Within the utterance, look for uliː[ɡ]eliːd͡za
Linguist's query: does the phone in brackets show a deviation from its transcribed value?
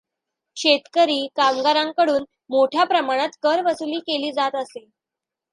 yes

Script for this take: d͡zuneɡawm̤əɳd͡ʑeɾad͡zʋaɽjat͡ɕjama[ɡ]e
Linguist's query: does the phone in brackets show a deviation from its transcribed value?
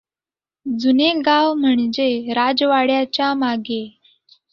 no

